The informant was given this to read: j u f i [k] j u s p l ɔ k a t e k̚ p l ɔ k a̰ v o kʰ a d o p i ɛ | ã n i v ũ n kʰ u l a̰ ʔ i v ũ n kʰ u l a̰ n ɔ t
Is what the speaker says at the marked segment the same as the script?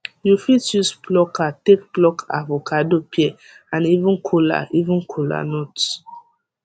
no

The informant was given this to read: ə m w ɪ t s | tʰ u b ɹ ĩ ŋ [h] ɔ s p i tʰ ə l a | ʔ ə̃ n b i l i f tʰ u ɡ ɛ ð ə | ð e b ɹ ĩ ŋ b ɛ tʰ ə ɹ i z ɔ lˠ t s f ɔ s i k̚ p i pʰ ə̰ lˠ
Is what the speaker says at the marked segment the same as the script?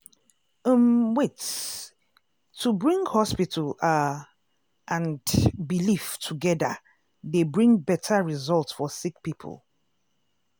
yes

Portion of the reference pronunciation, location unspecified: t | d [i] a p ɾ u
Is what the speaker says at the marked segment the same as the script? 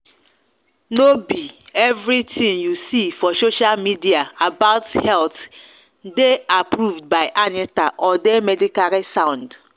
no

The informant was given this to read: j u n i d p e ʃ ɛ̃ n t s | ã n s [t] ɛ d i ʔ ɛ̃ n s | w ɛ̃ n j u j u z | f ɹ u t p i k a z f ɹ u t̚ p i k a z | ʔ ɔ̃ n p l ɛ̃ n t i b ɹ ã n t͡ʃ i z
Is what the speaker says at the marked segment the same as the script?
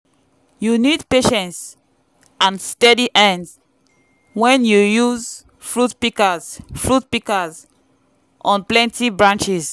yes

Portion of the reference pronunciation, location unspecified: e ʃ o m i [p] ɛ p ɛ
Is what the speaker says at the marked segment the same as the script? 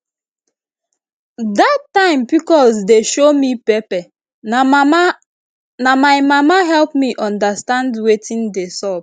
yes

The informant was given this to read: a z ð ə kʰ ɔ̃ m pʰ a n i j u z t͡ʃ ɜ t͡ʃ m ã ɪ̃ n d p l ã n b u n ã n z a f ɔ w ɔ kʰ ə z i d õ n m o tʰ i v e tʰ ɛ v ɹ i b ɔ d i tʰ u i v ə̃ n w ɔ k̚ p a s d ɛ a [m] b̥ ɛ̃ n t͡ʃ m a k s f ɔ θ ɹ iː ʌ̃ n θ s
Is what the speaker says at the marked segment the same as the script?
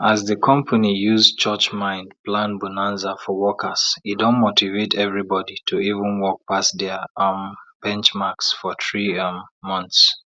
yes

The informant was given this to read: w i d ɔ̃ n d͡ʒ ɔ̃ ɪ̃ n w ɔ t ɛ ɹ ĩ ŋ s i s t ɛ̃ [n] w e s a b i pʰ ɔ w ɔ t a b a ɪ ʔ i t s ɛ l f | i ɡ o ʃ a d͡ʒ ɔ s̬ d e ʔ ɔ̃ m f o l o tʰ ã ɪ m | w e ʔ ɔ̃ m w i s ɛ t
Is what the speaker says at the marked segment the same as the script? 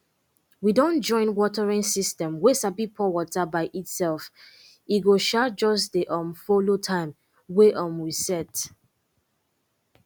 no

